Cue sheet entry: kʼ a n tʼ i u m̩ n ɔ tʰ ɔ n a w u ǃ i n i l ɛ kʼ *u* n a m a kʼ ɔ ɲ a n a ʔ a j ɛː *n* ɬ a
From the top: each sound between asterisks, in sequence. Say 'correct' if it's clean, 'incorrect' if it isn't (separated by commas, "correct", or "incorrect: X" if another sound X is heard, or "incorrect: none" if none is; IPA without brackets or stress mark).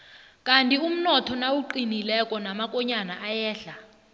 incorrect: ɔ, incorrect: none